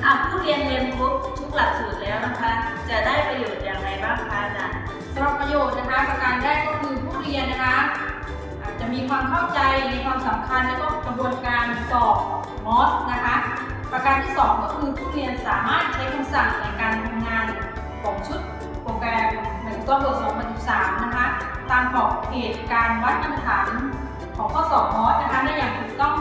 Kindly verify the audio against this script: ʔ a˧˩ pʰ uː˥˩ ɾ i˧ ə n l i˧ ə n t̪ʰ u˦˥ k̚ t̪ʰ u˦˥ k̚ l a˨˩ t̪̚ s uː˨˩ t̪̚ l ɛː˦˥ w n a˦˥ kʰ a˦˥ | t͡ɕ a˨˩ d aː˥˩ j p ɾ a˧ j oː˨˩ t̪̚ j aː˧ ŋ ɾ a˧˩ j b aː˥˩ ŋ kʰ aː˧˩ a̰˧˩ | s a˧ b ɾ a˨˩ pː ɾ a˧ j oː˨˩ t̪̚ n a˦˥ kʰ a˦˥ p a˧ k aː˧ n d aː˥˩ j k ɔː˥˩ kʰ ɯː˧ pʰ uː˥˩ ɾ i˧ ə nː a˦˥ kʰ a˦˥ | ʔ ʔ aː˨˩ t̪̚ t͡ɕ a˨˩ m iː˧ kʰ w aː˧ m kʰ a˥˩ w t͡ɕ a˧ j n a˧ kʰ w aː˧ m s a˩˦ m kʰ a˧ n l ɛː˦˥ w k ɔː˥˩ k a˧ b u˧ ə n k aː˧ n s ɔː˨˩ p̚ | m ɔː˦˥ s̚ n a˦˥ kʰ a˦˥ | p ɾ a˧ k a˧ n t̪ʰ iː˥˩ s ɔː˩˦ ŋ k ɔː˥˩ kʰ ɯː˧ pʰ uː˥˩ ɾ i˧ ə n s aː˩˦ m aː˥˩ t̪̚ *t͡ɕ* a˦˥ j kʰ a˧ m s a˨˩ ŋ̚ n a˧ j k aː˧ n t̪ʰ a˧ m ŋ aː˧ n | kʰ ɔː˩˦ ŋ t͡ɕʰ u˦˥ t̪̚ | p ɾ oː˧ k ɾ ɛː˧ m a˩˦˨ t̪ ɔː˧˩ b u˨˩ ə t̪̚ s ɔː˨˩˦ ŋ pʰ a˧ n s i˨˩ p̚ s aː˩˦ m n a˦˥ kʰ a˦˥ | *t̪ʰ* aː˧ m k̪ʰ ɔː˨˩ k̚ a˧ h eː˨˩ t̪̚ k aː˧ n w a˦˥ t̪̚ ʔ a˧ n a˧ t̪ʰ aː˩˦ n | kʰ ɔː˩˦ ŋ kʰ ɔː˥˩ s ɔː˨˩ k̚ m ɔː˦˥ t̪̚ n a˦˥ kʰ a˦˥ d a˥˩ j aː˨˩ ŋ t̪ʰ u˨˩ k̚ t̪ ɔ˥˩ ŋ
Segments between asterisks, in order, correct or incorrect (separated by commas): incorrect, incorrect